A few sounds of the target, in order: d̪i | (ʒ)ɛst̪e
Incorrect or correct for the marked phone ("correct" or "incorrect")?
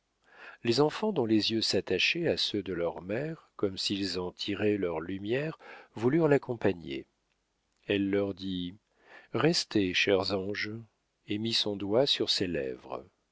incorrect